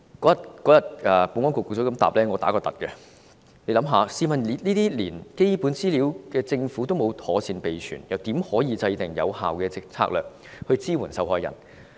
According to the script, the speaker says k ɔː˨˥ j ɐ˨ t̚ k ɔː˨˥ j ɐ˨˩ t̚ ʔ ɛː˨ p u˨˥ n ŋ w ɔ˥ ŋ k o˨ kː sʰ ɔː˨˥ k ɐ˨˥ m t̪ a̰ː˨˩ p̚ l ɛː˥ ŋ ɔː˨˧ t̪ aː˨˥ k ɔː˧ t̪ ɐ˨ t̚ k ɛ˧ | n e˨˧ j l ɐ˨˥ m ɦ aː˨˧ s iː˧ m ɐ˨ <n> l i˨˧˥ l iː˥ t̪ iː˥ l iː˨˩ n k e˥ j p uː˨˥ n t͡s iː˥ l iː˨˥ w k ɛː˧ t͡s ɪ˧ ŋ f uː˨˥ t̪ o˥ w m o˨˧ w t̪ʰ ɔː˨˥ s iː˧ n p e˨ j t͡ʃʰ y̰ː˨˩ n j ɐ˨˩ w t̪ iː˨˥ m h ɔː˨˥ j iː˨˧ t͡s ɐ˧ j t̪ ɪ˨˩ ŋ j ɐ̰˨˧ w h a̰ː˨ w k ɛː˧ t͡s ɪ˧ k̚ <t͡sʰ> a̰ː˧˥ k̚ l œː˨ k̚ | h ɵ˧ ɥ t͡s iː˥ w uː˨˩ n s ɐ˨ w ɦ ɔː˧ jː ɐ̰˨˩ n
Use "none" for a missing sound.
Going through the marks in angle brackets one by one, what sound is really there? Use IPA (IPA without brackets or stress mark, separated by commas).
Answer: n, t͡sʰ